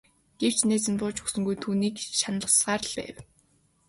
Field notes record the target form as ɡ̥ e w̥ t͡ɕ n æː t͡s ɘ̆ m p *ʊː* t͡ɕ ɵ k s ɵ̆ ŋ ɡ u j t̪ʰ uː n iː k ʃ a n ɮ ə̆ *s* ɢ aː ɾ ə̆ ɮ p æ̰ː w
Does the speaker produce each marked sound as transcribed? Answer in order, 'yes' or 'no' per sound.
yes, yes

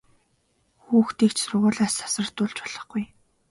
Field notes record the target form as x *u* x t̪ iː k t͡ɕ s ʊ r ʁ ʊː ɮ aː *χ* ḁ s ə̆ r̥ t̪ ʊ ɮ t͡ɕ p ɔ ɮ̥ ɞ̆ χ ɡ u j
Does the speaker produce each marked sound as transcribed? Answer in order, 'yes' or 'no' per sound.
no, no

